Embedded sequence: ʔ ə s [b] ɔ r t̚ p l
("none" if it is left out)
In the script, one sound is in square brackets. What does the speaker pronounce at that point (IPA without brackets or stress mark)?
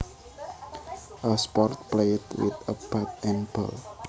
p